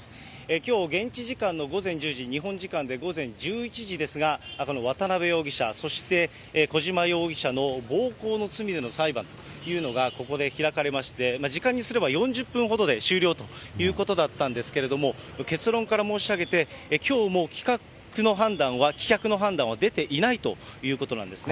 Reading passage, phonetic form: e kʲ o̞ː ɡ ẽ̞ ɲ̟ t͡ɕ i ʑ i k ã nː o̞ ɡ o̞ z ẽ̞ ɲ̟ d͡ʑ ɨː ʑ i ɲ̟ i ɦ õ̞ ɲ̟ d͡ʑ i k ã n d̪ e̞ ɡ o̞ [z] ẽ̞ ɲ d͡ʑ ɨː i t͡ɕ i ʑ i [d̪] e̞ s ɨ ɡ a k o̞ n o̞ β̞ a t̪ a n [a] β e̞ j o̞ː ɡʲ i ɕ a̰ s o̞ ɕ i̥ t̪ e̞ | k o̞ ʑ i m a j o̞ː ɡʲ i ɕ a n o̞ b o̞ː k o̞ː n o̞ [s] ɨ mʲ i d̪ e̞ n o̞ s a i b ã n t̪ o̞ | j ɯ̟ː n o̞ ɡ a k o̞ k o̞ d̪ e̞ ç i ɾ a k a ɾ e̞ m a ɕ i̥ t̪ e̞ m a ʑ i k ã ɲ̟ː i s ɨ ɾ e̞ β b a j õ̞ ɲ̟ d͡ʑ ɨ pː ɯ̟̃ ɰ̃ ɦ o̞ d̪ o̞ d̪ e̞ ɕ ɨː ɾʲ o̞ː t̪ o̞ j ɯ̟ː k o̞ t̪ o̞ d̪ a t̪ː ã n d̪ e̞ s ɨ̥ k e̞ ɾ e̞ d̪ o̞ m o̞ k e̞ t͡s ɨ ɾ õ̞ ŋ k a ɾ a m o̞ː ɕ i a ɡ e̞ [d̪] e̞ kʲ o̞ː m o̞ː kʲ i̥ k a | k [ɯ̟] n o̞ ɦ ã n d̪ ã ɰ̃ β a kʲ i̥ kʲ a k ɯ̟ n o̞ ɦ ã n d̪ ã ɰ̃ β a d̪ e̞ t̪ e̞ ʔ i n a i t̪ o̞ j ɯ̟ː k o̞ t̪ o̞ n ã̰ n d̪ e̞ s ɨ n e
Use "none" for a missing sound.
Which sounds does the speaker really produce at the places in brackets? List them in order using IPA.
z, d̪, a, t͡s, t̪, ɯ̟

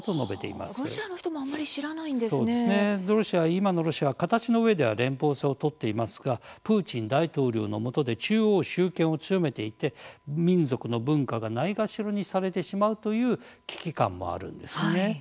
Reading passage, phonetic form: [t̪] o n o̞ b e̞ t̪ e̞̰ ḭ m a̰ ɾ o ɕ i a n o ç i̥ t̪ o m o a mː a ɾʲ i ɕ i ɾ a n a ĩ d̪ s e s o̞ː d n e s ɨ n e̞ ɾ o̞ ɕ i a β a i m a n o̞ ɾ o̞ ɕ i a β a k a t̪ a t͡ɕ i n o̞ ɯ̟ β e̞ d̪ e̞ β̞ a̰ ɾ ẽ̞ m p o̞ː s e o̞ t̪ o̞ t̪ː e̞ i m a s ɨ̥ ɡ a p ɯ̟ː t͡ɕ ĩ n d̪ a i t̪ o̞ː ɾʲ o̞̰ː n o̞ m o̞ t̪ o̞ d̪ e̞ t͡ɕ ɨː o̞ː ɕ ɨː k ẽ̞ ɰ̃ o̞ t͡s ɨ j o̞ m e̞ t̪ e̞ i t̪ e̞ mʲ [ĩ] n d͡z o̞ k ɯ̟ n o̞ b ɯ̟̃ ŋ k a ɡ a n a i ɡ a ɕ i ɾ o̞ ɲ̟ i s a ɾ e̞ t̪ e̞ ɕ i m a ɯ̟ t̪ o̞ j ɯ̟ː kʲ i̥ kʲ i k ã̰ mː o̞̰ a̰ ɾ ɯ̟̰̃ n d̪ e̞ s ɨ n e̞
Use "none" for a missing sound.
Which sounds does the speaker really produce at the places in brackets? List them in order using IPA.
t̪, ĩ

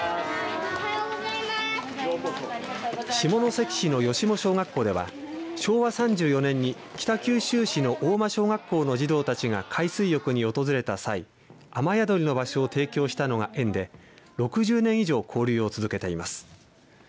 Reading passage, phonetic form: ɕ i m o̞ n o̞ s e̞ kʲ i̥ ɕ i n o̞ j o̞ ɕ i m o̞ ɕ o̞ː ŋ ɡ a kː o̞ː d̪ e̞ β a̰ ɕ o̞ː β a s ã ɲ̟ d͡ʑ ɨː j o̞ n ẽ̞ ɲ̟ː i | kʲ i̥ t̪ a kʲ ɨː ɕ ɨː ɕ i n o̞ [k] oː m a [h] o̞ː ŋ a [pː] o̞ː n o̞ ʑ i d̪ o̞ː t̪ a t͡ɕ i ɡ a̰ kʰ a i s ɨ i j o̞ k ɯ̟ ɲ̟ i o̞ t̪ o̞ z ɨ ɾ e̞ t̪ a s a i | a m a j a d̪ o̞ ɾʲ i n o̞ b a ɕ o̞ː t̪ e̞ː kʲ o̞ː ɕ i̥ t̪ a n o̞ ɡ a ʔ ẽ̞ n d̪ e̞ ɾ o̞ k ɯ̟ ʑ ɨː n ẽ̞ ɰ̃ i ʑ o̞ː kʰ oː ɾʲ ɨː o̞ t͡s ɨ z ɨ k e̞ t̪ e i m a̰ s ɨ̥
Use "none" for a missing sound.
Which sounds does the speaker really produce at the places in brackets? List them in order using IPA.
ʔ, ɕ, kː

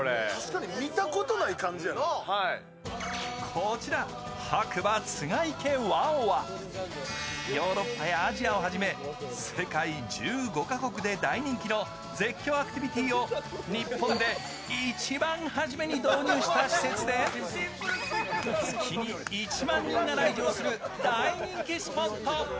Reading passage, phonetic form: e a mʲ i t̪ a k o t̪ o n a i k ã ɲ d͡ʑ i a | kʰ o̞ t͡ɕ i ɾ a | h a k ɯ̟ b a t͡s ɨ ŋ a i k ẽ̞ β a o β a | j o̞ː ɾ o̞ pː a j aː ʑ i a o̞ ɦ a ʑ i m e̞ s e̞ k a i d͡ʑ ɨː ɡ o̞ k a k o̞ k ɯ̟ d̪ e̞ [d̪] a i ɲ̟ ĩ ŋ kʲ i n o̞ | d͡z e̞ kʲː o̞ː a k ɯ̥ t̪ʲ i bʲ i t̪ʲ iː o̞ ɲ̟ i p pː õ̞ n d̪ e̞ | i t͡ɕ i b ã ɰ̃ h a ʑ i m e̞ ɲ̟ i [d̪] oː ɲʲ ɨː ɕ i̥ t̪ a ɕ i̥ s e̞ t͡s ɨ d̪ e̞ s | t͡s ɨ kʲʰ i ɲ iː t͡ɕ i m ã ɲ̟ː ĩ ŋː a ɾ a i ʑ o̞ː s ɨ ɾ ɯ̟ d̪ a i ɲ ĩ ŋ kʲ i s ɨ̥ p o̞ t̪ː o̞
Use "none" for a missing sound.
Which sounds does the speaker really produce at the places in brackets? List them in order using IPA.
d̪, d̪

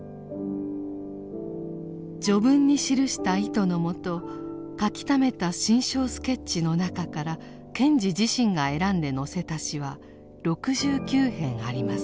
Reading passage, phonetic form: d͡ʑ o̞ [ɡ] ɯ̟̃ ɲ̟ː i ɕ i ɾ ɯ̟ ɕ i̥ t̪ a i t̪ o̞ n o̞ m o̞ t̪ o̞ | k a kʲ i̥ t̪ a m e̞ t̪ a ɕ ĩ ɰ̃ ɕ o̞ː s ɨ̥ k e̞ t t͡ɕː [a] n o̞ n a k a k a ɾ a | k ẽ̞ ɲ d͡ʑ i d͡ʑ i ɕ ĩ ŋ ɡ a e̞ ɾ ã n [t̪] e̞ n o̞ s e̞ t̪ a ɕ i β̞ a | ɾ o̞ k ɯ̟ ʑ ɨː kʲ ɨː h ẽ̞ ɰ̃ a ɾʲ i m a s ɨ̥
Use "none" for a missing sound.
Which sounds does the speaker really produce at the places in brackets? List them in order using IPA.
b, i, d̪

